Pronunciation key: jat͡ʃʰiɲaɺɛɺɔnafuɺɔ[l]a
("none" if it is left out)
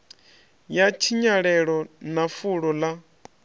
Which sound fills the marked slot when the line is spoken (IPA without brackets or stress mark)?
l